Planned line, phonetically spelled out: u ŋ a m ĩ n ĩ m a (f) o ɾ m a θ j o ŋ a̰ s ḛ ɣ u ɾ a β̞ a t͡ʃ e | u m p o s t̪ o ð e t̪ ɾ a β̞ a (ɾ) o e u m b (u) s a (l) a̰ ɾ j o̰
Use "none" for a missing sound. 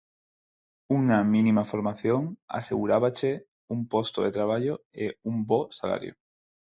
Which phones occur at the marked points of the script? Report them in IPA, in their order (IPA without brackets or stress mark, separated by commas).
f, ʎ, o, l